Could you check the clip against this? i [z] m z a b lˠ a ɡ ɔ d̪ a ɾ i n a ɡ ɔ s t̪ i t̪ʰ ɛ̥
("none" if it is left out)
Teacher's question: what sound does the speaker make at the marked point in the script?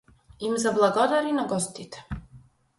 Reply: none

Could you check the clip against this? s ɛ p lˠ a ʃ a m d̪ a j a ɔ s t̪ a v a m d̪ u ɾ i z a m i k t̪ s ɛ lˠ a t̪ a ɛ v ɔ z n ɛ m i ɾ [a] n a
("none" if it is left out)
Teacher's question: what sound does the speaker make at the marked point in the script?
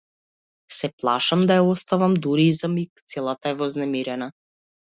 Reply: ɛ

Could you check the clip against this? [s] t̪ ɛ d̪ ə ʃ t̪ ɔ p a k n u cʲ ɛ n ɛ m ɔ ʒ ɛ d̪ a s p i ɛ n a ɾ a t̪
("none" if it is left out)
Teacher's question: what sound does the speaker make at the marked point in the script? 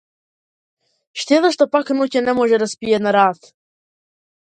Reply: ʃ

